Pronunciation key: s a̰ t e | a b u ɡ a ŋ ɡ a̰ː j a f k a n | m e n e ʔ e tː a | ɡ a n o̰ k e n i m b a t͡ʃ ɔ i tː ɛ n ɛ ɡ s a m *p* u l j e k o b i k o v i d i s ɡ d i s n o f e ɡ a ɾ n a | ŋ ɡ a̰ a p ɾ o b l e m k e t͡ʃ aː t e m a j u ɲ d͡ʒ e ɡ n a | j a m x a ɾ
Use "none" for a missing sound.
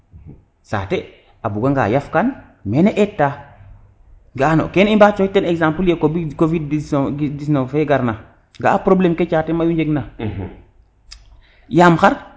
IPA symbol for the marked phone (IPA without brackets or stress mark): p